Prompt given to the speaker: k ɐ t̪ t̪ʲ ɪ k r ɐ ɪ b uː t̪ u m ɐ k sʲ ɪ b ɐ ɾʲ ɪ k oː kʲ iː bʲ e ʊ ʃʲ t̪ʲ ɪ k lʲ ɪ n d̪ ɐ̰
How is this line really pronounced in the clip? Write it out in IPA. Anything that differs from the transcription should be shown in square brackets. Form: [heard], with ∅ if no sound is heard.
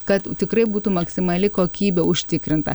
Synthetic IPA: k ɐ t̪ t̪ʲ ɪ k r ɐ ɪ b uː t̪ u m ɐ k sʲ ɪ [m] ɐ [lʲ] ɪ k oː kʲ iː bʲ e ʊ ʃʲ t̪ʲ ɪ k [ɾʲ] ɪ n [t̪] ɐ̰